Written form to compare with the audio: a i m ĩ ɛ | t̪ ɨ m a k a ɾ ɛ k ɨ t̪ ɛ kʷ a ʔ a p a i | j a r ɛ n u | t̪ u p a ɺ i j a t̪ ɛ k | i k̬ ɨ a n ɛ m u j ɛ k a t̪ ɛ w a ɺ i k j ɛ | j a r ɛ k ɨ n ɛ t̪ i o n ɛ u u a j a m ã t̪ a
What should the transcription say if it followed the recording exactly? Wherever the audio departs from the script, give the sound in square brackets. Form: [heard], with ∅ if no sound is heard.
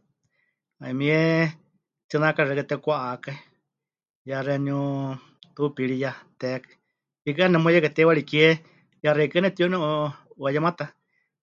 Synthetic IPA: a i m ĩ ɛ | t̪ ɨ [n] a k a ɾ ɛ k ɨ t̪ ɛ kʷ a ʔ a [k] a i | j a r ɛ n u | t̪ u p [i] ɺ i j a t̪ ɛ k | i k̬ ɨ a n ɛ m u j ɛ k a t̪ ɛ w a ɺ i k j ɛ | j a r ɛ k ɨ n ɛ t̪ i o n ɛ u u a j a m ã t̪ a